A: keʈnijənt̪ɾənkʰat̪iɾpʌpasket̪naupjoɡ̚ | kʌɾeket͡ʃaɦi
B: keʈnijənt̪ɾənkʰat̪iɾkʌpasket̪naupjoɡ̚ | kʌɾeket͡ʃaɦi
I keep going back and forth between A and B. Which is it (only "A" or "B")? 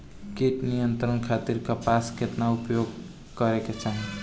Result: B